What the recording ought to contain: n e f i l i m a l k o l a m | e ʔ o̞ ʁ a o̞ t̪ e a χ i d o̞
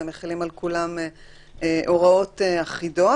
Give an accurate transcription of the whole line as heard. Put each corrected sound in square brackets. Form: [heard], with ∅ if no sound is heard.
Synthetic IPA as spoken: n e [χ] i l i m a l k [u] l a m | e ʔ o̞ ʁ a o̞ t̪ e a χ i d o̞

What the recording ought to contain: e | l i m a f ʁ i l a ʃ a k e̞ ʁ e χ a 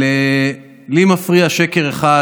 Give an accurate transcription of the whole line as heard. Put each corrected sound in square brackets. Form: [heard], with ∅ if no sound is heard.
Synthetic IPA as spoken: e | l i m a f ʁ i [∅] a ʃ [e] k e̞ ʁ e χ a

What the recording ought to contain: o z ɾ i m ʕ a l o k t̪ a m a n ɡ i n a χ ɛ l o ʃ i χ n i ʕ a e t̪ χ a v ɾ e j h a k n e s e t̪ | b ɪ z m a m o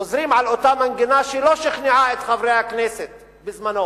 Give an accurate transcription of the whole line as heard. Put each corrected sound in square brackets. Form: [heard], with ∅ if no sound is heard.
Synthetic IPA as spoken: o z ɾ i m ʕ a l o [∅] t̪ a m a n ɡ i n a [ʃ] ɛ l o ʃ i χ n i ʕ a e t̪ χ a v ɾ e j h a k n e s e t̪ | b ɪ z m a [n] o

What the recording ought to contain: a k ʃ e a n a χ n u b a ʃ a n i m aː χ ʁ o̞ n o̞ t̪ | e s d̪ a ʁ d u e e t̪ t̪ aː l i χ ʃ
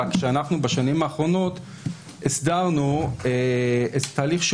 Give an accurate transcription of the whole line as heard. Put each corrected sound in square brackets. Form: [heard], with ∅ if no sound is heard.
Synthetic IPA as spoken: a k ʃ e a n a χ n u b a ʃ a n i m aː χ ʁ o̞ n o̞ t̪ | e s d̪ a ʁ [n] u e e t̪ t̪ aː l i χ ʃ

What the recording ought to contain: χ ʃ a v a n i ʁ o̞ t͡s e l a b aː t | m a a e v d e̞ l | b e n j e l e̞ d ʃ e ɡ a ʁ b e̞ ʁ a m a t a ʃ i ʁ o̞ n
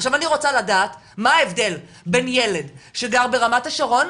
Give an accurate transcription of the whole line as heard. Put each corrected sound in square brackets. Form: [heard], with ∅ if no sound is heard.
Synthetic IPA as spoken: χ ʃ a v a n i ʁ o̞ t͡s [a] l a [d] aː t | m a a e v d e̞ l | b e n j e l e̞ d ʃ e ɡ a ʁ b e̞ ʁ a m a t a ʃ [a] ʁ o̞ n

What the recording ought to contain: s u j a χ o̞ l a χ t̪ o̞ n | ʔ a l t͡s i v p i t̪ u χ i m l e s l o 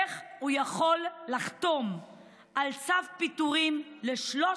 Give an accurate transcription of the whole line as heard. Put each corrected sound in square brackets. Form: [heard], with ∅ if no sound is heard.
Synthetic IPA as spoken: [χ] u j a χ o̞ [lː] a χ t̪ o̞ [m] | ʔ a l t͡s [a] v p i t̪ u [ʁ] i m l e [ʃ] l o

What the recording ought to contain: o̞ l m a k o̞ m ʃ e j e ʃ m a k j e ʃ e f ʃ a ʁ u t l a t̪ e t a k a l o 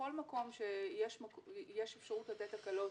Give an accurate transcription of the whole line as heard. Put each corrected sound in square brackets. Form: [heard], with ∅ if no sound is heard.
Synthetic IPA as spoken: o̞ l m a k o̞ m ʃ e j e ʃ m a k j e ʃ e f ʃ a ʁ u t l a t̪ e t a k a l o

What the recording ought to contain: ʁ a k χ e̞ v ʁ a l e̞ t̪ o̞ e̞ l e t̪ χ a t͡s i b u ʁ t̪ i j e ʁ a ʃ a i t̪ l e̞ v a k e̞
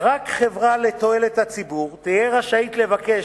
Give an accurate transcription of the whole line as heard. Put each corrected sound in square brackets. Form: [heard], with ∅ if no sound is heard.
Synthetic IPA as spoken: ʁ a k χ e̞ v ʁ a l e̞ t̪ o̞ e̞ l e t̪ [h] a t͡s i b u ʁ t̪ i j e ʁ a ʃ a i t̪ l e̞ v a k e̞

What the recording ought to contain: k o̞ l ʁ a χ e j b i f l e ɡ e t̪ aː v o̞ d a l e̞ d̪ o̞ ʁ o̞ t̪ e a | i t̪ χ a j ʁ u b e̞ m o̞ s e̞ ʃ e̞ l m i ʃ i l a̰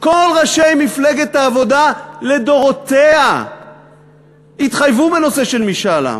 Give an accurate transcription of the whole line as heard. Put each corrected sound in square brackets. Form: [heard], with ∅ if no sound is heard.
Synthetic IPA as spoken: k o̞ l ʁ a [ʃ] e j [m] i f l e ɡ e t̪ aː v o̞ d a l e̞ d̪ o̞ ʁ o̞ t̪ e a | i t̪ χ a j [v] u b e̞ [n] o̞ s e̞ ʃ e̞ l m i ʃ [a] l a̰

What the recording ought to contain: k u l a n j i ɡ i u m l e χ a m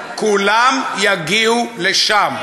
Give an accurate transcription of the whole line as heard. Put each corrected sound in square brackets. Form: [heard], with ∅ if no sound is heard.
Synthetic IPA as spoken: k u l a [m] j [a] ɡ i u [∅] l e [ʃ] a m

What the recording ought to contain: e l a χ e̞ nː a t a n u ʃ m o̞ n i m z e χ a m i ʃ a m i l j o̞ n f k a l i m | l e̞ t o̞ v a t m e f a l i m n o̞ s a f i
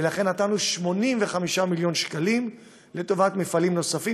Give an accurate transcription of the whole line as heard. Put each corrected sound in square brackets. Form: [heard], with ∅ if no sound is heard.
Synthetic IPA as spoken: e l a χ e̞ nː a t a n u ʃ m o̞ n i m [v] e χ a m i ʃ a m i l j o̞ n [ʃ] k a l i m | l e̞ t o̞ v a t m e f a l i m n o̞ s a f i

